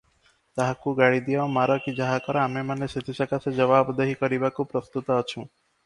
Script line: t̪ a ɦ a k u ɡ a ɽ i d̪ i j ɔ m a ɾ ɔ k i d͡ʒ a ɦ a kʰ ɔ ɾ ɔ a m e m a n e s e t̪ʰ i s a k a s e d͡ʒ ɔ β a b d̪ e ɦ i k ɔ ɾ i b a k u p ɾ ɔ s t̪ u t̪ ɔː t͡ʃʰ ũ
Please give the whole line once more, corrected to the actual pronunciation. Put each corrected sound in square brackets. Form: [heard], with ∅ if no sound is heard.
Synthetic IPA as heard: t̪ a ɦ a k u ɡ a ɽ i d̪ i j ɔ m a ɾ ɔ k i d͡ʒ a ɦ a [k] ɔ ɾ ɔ a m e m a n e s e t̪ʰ i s a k a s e d͡ʒ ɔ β a b d̪ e ɦ i k ɔ ɾ i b a k u p ɾ ɔ s t̪ u t̪ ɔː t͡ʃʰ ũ